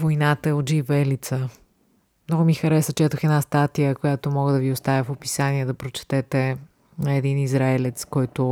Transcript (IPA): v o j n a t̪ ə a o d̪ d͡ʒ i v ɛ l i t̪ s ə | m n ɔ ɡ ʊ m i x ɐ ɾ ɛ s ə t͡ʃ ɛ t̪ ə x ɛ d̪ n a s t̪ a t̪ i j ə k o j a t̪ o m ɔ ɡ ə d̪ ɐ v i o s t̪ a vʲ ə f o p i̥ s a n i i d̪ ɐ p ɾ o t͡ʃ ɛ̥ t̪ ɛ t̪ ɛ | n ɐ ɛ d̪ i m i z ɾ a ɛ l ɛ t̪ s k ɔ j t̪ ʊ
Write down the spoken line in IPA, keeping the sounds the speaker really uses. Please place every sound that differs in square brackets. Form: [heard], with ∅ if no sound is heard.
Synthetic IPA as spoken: v o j n a t̪ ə [ɛ] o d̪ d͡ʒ i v ɛ l i t̪ s ə | m n ɔ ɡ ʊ m i x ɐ ɾ ɛ s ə t͡ʃ ɛ t̪ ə x ɛ d̪ n a s t̪ a t̪ i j ə k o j a t̪ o m ɔ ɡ ə d̪ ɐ v i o s t̪ a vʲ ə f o p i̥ s a n i [ɛ] d̪ ɐ p ɾ o t͡ʃ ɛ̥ t̪ ɛ t̪ ɛ | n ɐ ɛ d̪ i [n] i z ɾ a ɛ l ɛ t̪ s k ɔ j t̪ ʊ